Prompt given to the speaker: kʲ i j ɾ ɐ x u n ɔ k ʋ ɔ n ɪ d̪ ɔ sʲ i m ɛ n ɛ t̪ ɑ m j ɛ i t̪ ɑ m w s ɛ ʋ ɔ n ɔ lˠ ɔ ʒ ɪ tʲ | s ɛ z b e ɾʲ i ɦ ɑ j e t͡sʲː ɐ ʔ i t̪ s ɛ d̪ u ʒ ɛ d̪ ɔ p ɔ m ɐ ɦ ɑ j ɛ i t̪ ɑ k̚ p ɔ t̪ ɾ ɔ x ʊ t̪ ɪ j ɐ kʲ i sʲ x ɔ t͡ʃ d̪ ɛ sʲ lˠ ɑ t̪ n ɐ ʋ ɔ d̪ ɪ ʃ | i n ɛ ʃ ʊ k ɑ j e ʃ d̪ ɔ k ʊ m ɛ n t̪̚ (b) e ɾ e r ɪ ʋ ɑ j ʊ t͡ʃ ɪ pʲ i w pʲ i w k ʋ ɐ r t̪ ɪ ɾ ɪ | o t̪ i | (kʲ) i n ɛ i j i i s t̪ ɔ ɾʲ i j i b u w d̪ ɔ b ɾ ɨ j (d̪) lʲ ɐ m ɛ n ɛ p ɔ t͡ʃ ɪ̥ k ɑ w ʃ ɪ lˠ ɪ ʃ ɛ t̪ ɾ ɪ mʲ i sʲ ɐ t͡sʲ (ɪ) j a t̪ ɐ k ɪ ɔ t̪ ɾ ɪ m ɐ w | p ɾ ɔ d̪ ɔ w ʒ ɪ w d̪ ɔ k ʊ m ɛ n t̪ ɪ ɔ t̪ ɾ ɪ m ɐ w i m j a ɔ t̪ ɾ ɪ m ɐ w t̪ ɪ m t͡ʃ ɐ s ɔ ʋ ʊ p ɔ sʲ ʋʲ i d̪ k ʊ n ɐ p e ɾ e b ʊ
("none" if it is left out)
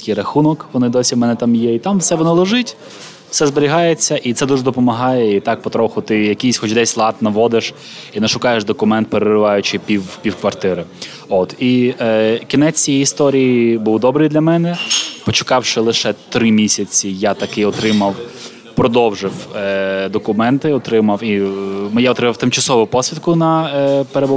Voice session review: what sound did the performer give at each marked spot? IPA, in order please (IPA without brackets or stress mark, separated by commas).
p, kʲ, d̪, i